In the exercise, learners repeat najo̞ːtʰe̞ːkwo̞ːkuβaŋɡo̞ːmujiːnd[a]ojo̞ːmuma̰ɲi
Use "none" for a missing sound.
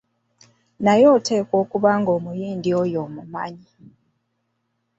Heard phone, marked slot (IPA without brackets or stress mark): i